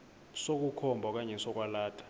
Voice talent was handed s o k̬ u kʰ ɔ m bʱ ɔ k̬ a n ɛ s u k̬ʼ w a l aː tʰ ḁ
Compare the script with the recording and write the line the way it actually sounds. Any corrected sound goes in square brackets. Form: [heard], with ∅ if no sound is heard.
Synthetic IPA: s o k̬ u kʰ ɔ m bʱ ɔ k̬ a [ɲ] ɛ s [ɔ] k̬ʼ w a l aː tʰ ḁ